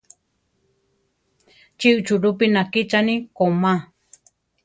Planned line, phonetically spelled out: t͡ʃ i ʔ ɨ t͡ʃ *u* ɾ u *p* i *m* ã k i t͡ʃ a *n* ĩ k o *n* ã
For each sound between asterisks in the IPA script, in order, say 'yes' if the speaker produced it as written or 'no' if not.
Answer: yes, yes, no, yes, no

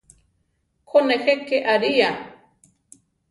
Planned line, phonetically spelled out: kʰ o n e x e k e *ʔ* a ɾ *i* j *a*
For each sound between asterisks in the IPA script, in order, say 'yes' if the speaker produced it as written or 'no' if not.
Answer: yes, yes, yes

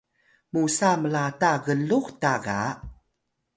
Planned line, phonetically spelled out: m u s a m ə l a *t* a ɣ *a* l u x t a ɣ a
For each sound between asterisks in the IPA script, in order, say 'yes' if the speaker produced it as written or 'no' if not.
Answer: yes, no

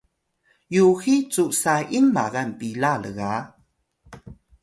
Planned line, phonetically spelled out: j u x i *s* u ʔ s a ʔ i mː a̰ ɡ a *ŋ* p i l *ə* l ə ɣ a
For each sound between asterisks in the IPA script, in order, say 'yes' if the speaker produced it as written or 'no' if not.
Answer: no, no, no

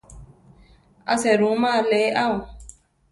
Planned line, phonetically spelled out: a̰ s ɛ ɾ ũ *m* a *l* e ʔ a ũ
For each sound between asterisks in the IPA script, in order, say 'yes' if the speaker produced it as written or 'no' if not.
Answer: yes, yes

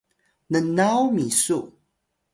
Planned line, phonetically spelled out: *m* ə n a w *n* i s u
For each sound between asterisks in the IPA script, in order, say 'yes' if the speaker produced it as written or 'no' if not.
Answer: no, no

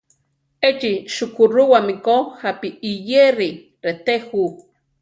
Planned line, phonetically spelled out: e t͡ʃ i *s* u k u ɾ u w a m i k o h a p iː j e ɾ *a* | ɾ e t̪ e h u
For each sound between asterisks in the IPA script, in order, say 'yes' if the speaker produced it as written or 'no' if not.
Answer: no, no

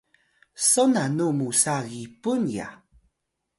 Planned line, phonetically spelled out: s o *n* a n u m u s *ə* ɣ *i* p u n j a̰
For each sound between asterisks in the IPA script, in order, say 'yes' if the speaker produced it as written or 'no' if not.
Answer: yes, no, yes

